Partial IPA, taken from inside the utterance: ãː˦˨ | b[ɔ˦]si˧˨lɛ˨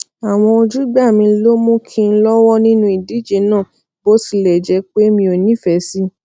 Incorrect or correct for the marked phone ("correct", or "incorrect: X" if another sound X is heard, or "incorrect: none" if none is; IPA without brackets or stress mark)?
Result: incorrect: o˦